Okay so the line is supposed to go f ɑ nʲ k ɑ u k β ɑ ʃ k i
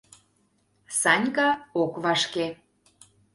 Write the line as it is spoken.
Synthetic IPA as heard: s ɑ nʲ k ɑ o k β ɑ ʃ k e